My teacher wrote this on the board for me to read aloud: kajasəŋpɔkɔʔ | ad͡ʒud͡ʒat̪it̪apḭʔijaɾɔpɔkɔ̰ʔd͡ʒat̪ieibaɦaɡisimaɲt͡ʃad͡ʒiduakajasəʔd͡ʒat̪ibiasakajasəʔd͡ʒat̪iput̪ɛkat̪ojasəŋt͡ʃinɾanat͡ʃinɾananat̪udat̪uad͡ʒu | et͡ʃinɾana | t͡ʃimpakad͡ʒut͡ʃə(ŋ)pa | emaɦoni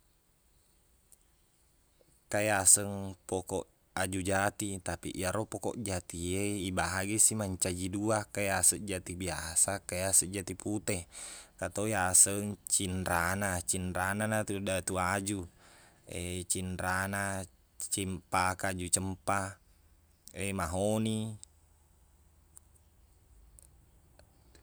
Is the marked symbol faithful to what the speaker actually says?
no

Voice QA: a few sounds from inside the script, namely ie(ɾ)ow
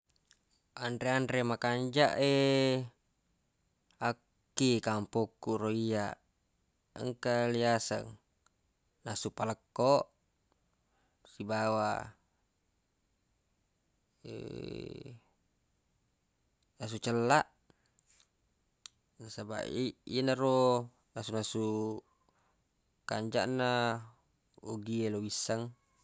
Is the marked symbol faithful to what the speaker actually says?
no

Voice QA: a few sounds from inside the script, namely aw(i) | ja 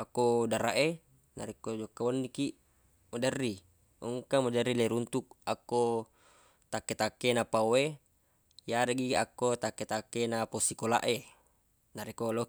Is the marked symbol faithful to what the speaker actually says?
no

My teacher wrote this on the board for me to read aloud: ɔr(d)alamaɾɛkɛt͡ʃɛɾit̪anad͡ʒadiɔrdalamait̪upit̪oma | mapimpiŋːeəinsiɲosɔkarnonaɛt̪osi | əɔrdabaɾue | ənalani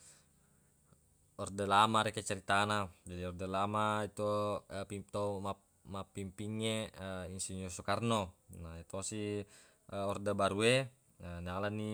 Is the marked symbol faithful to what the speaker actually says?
yes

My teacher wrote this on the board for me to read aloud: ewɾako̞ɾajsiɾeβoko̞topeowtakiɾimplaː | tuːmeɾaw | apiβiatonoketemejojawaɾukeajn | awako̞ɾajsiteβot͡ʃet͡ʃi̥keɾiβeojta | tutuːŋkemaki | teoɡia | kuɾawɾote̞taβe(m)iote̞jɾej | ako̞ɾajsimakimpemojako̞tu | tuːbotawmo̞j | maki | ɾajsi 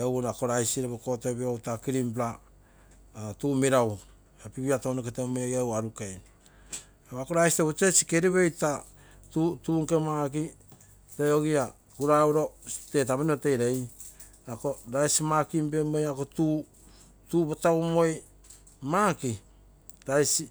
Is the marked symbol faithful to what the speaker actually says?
no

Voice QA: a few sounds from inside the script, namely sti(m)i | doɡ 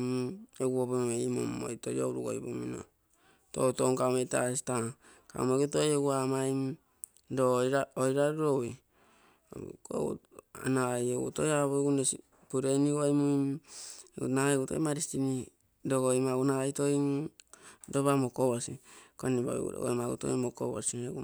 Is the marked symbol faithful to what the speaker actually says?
no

